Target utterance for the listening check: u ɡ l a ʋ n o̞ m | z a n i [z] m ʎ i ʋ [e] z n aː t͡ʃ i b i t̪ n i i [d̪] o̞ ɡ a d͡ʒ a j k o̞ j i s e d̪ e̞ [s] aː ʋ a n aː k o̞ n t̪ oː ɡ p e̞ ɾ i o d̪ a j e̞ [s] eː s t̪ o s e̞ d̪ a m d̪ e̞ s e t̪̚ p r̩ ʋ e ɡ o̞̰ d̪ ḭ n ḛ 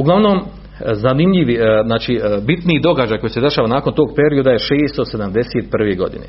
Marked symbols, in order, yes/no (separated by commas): no, no, yes, no, no